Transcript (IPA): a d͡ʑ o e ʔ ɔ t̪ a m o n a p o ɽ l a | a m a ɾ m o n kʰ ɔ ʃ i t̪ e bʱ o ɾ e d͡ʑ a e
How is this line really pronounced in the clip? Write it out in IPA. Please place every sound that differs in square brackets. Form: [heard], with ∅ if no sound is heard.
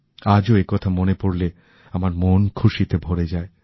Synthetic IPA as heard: a d͡ʑ o e [k] ɔ [t̪ʰ] a m o n [e] p o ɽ l [e] | a m a ɾ m o n kʰ [u] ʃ i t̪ e bʱ o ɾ e d͡ʑ a e